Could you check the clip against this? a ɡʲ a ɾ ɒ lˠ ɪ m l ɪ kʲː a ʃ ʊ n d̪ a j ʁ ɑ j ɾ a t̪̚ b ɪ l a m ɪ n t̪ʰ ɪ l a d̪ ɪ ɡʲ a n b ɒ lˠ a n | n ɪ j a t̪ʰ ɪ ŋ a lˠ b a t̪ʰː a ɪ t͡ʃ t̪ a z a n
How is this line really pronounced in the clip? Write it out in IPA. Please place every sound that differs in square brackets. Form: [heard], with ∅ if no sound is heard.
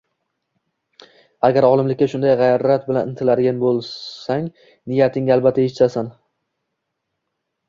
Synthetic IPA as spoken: a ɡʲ a ɾ ɒ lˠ ɪ m l ɪ kʲː a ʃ ʊ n d̪ a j ʁ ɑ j ɾ a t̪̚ b ɪ l a [n] ɪ n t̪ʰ ɪ l a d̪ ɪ ɡʲ a n b [o] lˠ a [ŋ] | n ɪ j a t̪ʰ ɪ ŋ a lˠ b a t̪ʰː a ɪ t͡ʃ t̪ a [s] a n